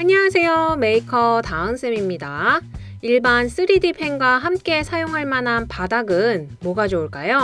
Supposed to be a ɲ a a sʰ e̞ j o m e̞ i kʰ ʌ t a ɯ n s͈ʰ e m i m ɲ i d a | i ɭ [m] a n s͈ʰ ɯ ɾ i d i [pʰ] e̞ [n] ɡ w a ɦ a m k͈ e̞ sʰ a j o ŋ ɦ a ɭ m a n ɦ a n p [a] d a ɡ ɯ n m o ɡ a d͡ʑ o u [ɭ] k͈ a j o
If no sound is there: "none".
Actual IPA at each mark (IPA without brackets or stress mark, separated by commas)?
b, pʰ, ŋ, a, ɭ